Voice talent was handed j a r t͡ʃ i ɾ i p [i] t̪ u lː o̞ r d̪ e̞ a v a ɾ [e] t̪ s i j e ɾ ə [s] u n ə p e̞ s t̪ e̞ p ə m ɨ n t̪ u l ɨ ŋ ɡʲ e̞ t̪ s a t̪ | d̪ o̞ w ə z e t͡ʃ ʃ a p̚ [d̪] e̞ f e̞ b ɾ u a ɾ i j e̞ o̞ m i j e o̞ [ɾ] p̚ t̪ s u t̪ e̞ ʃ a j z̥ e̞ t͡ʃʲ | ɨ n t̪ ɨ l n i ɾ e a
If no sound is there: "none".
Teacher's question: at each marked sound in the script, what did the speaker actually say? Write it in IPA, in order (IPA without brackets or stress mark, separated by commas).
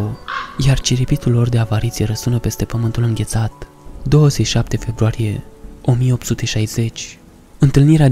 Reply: i, i, s, t̪, none